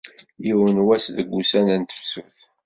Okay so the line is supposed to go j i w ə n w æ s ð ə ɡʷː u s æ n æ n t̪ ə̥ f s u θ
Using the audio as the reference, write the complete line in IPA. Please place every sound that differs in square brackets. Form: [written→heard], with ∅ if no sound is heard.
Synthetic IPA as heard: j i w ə n w æ s ð ə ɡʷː u s æ n æ n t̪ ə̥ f s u θ